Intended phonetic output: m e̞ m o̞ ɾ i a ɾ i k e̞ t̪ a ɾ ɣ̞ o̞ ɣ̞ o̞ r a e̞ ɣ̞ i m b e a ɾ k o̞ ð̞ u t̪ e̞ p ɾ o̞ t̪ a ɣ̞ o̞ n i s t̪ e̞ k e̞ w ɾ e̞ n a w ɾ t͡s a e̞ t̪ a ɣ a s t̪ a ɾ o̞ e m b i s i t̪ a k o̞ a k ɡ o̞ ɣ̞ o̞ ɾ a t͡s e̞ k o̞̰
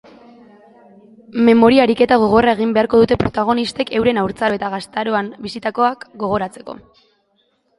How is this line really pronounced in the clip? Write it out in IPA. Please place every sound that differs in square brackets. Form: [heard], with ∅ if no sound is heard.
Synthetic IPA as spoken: m e̞ m o̞ ɾ i a ɾ i k e̞ t̪ a [∅] ɣ̞ o̞ ɣ̞ o̞ r a e̞ ɣ̞ i m b e a ɾ k o̞ ð̞ u t̪ e̞ p ɾ o̞ t̪ a ɣ̞ o̞ n i s t̪ e̞ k e̞ w ɾ e̞ n a w ɾ t͡s a e̞ t̪ a ɣ a s t̪ a ɾ o̞ [a] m b i s i t̪ a k o̞ a k ɡ o̞ ɣ̞ o̞ ɾ a t͡s e̞ k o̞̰